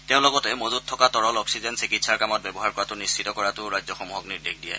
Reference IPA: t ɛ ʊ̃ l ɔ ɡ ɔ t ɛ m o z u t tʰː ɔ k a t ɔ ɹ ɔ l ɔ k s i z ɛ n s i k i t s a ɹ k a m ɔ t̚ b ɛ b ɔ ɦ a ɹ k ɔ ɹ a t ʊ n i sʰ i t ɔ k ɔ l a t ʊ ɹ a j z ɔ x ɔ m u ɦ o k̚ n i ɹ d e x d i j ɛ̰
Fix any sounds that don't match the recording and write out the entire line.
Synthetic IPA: t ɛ ʊ̃ l ɔ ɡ ɔ t ɛ m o z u t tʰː ɔ k a t ɔ ɹ ɔ l ɔ k s i z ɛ n s i k i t s a ɹ k a m ɔ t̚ b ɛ b ɔ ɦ a ɹ k ɔ ɹ a t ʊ n i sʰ i t ɔ k ɔ ɹ a t ʊ ɹ a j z ɔ x ɔ m u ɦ ɔ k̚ n i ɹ d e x d i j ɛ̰